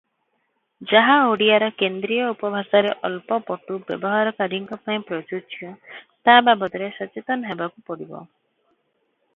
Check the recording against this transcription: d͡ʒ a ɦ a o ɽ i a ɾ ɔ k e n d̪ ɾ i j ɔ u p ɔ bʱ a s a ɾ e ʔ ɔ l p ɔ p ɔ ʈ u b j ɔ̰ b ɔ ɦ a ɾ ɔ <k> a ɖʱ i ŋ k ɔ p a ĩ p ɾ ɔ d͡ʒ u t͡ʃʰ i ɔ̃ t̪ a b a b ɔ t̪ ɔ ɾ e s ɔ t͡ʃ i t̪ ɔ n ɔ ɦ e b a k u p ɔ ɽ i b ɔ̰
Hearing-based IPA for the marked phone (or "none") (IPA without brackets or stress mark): k